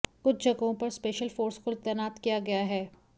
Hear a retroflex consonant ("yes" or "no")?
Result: no